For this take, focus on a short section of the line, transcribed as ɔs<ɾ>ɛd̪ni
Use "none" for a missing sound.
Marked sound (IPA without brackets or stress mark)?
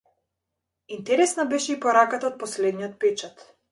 l